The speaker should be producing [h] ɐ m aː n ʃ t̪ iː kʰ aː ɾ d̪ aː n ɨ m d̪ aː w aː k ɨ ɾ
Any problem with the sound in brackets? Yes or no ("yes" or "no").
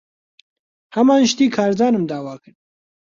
no